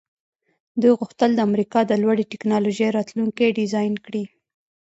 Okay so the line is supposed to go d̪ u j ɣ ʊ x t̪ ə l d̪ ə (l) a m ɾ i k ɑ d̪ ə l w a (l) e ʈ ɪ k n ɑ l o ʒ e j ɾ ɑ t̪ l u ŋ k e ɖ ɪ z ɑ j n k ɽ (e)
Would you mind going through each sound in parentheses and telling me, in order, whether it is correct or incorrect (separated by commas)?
incorrect, incorrect, incorrect